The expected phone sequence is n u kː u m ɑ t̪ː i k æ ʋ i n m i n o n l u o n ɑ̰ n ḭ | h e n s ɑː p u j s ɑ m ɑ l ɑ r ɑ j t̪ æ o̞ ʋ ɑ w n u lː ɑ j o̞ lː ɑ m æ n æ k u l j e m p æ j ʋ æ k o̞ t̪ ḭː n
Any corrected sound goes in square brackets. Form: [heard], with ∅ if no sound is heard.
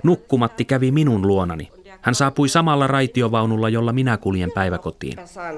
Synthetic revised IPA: n u kː u m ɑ t̪ː i k æ ʋ i [∅] m i n [u] n l u o n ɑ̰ n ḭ | h [æ] n s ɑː p u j s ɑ m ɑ [lː] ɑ r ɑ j t̪ [i] o̞ ʋ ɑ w n u lː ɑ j o̞ lː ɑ m [i] n æ k u l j e m p æ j ʋ æ k o̞ t̪ ḭː n